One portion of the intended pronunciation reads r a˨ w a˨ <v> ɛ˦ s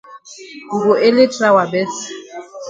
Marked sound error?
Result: yes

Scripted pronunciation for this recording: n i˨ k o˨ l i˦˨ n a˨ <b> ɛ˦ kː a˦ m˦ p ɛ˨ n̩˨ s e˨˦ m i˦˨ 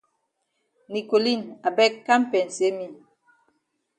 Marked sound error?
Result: no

